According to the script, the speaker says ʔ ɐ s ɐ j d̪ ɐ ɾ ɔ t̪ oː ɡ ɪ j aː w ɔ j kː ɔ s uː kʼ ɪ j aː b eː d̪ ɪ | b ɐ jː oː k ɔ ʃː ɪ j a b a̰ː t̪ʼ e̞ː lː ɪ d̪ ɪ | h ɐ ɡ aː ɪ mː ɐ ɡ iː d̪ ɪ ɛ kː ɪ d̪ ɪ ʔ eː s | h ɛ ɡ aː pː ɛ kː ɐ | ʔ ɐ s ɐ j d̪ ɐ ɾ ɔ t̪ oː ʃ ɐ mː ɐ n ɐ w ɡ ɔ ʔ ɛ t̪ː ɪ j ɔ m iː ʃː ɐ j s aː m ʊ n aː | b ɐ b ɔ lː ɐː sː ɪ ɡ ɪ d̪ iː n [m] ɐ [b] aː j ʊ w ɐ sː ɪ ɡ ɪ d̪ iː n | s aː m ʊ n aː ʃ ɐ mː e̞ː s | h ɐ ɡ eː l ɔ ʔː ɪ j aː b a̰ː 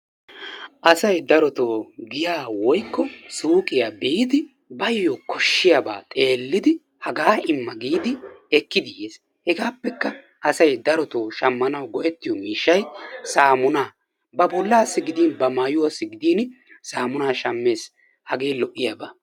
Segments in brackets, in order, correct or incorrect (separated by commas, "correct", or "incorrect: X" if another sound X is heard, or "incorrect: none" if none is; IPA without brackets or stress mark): incorrect: b, incorrect: m